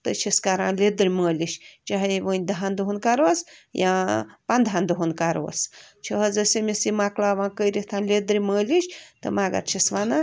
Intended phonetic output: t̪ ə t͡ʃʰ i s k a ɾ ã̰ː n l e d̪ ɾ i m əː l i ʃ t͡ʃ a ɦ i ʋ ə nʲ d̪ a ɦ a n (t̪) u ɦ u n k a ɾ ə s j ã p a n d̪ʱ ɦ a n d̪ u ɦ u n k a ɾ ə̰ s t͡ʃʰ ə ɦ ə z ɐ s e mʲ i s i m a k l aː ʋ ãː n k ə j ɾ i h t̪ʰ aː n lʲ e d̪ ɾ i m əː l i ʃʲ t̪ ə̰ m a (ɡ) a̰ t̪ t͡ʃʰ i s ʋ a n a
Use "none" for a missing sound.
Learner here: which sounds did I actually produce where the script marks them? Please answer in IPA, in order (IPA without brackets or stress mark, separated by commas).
d̪, ɡ